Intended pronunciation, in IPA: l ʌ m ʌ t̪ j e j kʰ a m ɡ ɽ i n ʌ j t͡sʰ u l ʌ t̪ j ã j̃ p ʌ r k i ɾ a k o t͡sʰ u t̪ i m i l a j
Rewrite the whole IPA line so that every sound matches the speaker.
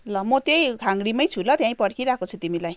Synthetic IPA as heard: l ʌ m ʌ t̪ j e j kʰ a ŋ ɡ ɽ i m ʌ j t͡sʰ u l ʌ t̪ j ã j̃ p ʌ ɽ k i ɾ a k o t͡sʰ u t̪ i m i l a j